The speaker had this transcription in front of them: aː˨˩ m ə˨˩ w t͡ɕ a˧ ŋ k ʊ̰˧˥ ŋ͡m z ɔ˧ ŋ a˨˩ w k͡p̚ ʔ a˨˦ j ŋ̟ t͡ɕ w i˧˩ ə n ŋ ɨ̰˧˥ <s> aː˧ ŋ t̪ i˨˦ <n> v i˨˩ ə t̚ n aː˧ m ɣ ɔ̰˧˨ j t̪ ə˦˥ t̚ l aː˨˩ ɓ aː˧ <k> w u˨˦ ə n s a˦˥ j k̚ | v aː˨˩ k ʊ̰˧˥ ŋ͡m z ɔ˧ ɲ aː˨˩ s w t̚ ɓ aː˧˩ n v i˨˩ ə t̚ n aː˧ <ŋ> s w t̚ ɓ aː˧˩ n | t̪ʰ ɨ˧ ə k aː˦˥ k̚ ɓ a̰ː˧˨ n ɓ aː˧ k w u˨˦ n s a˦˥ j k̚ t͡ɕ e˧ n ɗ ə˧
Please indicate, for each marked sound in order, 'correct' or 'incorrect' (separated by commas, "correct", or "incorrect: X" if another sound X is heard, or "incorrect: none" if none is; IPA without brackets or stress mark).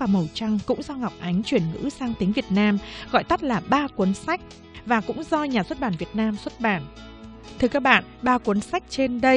correct, incorrect: ŋ, correct, incorrect: m